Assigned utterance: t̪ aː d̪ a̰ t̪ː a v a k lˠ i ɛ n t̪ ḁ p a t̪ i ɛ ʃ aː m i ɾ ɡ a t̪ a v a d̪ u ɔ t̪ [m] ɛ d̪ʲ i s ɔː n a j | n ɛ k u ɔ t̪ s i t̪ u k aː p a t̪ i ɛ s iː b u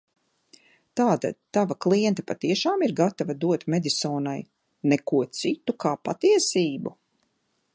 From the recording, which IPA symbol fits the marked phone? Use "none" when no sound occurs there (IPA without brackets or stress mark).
m